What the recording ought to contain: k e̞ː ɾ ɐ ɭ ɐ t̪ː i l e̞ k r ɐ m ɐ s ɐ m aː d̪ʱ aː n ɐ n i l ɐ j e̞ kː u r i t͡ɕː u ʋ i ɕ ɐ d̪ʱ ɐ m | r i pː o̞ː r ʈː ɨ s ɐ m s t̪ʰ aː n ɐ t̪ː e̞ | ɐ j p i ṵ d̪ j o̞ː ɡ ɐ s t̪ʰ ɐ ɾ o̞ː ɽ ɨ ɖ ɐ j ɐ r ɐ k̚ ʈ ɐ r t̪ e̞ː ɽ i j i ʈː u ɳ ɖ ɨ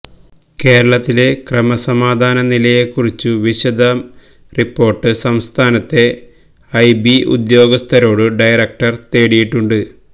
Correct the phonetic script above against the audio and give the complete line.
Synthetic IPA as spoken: k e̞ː ɾ ɐ ɭ ɐ t̪ː i l e̞ k r ɐ m ɐ s ɐ m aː d̪ʱ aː n ɐ n i l ɐ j e̞ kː u r i t͡ɕː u ʋ i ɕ ɐ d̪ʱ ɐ m | r i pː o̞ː r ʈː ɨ s ɐ m s t̪ʰ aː n ɐ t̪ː e̞ | ɐ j b i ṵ d̪ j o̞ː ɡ ɐ s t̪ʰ ɐ ɾ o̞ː ɽ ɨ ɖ ɐ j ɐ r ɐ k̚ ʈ ɐ r t̪ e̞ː ɽ i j i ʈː u ɳ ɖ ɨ